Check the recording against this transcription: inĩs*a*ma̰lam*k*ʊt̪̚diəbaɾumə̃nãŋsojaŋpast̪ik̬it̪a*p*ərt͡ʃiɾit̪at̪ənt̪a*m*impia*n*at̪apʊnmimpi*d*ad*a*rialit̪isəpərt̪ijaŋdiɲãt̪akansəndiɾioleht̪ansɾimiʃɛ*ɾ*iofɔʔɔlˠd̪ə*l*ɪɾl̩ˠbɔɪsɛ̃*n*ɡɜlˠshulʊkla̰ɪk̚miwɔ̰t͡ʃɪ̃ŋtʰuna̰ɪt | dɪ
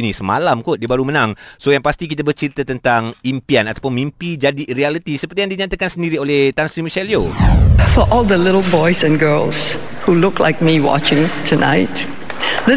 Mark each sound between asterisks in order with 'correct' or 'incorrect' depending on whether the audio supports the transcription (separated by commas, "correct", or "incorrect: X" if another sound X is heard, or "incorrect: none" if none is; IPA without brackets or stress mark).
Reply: incorrect: ə, correct, incorrect: b, incorrect: ŋ, correct, incorrect: d͡ʒ, incorrect: i, incorrect: l, correct, correct